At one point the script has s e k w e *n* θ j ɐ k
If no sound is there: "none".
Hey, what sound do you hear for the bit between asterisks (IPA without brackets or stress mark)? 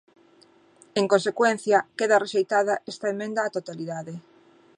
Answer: n